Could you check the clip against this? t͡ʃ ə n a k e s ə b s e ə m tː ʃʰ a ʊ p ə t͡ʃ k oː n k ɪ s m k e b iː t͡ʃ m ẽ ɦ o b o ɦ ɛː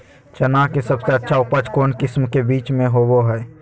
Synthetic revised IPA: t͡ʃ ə n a k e s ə b s e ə tː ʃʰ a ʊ p ə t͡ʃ k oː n k ɪ s m k e b iː t͡ʃ m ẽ ɦ o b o ɦ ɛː